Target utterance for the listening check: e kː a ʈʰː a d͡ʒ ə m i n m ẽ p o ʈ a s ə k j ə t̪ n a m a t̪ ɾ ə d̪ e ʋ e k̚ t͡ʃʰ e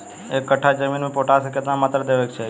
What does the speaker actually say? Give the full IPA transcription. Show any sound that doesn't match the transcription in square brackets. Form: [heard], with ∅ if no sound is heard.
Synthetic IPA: e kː [ə] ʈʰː a d͡ʒ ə m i n m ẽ p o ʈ a s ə k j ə t̪ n a m a t̪ ɾ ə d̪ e ʋ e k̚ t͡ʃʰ e

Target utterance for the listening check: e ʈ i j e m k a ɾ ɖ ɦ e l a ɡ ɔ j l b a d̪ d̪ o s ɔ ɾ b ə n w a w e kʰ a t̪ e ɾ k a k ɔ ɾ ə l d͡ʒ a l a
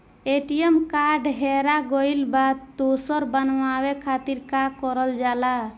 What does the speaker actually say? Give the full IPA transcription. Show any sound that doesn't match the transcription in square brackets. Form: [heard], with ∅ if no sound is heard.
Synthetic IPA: e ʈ i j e m k a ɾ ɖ ɦ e [ɾ] a ɡ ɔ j l b a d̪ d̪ o s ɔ ɾ b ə n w a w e kʰ a t̪ [i] ɾ k a k ɔ ɾ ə l d͡ʒ a l a

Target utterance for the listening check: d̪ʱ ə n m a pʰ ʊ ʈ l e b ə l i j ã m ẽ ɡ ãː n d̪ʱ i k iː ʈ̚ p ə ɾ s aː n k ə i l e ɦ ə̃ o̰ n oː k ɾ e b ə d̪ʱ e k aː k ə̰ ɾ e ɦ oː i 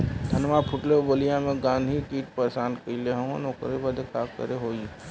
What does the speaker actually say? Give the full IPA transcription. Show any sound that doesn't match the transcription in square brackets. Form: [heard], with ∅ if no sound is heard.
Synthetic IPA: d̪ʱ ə n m a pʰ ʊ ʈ l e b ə l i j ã m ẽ ɡ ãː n d̪ʱ i k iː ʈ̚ p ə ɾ s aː n k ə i l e ɦ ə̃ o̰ n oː k ɾ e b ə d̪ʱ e k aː k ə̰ ɾ e ɦ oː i

